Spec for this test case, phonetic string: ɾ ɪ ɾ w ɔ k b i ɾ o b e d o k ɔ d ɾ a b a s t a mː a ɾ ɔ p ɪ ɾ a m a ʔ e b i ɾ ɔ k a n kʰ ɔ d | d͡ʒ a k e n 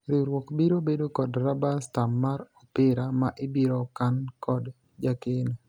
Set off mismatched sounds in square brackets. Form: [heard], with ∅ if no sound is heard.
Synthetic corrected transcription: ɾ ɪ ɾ w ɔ k b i ɾ o b e d o k ɔ d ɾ a b a s t a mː a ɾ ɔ p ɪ ɾ a m a ʔ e b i ɾ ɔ k a n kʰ ɔ d | d͡ʒ a k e n